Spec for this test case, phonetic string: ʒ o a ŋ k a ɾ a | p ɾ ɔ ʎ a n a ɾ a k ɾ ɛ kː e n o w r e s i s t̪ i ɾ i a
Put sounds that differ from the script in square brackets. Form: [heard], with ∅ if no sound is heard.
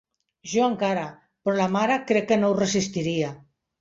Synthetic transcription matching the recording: ʒ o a ŋ k a ɾ a | p ɾ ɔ [l] a [m] a ɾ a k ɾ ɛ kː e n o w r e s i s t̪ i ɾ i a